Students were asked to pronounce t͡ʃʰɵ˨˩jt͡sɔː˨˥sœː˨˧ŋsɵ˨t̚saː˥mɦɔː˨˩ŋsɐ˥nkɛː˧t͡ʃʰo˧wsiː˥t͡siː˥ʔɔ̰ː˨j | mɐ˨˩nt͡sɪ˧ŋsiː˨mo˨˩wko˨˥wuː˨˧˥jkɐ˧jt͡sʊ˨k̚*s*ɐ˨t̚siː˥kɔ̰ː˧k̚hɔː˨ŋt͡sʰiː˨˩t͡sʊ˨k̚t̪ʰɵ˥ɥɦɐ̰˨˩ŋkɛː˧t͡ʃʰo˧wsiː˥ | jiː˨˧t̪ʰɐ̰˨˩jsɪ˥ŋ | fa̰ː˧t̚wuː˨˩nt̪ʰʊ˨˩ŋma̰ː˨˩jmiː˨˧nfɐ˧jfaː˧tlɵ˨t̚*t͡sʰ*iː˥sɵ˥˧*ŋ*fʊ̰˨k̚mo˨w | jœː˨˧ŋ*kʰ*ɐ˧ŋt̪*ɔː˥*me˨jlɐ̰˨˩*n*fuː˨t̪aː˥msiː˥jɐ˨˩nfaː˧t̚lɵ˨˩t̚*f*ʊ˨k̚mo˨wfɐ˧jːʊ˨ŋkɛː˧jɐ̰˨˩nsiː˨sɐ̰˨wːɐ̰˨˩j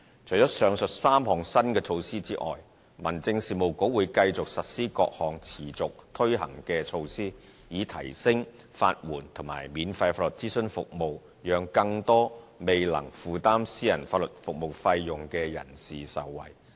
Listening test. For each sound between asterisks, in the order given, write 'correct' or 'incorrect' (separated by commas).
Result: correct, incorrect, incorrect, incorrect, correct, incorrect, correct